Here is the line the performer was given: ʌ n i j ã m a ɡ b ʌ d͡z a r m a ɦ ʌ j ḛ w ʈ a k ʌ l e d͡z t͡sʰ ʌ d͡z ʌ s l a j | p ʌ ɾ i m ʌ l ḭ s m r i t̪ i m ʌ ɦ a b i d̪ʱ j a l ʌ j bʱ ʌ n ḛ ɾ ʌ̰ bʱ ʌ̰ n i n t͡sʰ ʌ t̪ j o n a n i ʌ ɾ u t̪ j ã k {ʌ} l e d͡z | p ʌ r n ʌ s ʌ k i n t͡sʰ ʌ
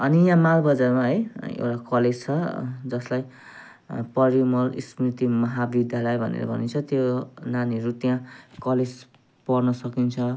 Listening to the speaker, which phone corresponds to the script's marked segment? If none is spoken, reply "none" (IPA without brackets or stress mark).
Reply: ʌ